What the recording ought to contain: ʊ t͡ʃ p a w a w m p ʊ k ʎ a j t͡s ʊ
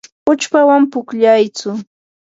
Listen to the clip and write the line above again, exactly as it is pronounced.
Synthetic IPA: ʊ t͡ʃ p a w a m p ʊ k ʎ a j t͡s ʊ

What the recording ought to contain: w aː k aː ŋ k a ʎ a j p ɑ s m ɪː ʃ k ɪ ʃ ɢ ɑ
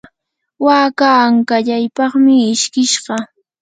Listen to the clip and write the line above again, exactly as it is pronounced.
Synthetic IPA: w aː k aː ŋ k a ʎ a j p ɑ χ m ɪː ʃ k ɪ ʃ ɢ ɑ

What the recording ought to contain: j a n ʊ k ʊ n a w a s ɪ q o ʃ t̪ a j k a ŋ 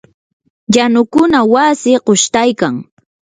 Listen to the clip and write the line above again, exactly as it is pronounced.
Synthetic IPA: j a n ʊ k ʊ n a w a s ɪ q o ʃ t̪ a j k a ŋ

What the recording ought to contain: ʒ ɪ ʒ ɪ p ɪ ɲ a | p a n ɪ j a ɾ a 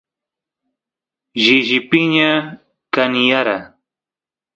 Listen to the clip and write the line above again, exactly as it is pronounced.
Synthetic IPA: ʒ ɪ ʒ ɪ p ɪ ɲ a | k a n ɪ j a ɾ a

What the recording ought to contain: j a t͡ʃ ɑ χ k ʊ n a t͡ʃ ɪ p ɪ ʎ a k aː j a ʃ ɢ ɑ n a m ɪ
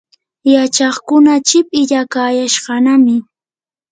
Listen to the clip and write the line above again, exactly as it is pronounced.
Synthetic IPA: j a t͡ʃ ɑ χ k ʊ n a t͡ʃ ɪ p ɪ ʎ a k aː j a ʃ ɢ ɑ n a m ɪ

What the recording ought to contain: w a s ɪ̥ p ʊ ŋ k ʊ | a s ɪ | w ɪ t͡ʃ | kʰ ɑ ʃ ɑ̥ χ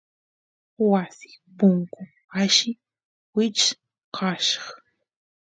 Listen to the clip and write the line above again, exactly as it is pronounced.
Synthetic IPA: w a s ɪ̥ p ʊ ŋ k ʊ | a ʃ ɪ | w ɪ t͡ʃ | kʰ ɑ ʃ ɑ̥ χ

